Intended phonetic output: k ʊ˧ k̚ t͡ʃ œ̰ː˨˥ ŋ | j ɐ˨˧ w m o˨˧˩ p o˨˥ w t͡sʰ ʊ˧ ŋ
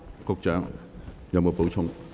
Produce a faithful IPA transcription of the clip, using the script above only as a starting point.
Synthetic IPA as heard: k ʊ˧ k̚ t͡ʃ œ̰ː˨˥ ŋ | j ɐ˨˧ w m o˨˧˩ p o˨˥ w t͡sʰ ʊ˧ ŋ